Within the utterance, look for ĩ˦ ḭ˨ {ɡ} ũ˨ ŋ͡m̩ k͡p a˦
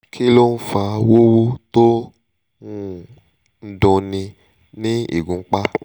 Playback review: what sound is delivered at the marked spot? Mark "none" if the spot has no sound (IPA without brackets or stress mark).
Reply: ɡ